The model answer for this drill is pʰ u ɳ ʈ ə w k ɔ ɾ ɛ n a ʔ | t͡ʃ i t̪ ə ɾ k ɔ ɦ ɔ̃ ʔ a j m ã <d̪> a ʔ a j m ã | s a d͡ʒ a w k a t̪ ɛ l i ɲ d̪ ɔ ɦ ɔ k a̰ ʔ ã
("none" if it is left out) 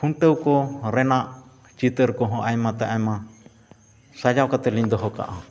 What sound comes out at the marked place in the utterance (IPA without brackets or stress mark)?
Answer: t̪